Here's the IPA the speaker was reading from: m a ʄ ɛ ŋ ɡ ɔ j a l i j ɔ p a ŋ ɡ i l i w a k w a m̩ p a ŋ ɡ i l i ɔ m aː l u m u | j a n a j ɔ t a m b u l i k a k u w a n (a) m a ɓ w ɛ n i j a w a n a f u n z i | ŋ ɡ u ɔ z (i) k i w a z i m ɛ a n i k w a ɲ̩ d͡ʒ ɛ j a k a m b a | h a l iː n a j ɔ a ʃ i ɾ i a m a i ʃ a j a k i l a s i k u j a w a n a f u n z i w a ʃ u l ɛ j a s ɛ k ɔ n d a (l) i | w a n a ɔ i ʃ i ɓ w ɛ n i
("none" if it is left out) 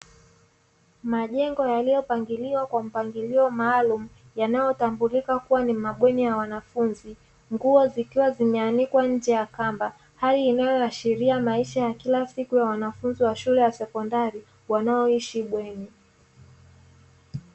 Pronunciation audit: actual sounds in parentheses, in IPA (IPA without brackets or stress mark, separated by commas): i, i, ɾ